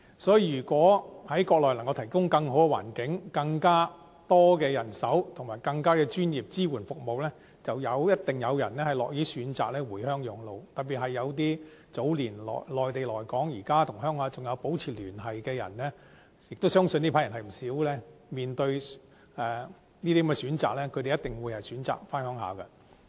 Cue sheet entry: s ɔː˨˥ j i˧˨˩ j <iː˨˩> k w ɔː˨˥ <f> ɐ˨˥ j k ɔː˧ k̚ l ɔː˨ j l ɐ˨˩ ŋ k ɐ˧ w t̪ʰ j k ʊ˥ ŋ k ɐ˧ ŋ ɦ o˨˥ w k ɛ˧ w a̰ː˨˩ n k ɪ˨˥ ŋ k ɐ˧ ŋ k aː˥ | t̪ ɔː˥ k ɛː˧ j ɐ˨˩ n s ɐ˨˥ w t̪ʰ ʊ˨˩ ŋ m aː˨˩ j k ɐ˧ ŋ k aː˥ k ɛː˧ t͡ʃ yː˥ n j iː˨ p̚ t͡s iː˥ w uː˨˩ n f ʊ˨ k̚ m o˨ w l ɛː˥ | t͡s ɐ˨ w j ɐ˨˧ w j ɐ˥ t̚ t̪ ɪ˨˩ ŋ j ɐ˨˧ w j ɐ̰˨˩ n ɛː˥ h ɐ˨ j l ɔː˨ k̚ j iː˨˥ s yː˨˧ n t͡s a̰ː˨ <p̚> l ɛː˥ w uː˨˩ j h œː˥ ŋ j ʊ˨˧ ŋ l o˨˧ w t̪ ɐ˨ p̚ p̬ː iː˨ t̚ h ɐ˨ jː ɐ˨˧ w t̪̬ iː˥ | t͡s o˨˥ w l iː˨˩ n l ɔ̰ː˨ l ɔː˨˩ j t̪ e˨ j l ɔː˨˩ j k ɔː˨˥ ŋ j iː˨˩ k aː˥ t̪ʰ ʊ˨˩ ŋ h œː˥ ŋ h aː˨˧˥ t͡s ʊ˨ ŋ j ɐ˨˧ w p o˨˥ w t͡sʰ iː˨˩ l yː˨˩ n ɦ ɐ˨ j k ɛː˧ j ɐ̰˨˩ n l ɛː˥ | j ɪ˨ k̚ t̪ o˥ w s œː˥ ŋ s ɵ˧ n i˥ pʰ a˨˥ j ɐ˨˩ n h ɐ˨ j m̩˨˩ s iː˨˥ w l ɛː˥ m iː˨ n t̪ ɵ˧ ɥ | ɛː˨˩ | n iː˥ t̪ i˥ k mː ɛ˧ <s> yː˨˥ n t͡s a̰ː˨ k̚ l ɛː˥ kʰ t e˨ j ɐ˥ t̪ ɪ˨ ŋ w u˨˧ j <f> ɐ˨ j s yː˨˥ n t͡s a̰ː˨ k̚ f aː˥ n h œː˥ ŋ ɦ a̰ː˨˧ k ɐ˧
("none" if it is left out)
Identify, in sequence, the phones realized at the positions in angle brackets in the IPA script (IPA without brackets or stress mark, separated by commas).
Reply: yː˨˩, h, k̚, s, h